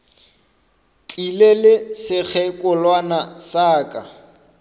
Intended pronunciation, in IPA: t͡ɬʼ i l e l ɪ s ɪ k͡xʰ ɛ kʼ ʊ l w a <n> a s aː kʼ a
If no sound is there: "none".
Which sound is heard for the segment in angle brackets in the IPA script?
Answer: n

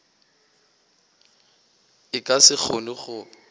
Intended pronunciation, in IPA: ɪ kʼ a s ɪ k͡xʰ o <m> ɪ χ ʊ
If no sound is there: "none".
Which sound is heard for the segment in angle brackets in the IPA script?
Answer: n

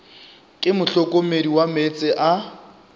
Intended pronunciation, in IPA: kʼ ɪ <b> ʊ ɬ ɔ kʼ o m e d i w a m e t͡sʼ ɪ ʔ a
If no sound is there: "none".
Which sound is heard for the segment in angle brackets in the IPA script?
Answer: m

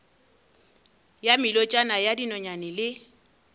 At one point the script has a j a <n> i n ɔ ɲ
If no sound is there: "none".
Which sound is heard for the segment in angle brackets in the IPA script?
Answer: d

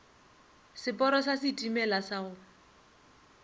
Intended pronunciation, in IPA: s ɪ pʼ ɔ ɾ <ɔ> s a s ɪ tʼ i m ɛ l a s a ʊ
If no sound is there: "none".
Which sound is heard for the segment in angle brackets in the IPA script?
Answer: ɔ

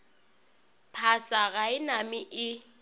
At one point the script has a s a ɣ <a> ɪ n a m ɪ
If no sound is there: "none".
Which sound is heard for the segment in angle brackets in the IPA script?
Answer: a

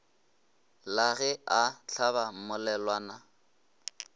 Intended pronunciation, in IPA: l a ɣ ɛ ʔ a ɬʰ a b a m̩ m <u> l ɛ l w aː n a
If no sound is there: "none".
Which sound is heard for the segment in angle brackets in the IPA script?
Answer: ʊ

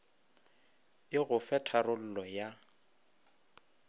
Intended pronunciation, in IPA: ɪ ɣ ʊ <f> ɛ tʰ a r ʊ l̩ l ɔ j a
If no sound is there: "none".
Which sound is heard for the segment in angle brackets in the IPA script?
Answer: f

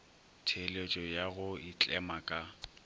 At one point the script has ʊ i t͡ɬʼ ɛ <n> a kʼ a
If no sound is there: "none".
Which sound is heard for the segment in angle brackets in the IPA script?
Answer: m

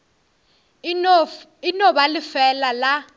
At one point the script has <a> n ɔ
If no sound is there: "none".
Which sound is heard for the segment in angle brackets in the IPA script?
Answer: i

